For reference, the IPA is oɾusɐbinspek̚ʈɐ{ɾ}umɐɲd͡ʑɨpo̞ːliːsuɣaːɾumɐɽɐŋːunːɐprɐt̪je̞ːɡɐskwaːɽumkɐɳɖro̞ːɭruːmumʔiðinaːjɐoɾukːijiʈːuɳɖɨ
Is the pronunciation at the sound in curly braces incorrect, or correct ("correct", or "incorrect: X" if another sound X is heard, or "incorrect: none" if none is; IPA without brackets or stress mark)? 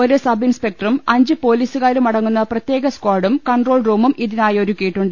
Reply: incorrect: r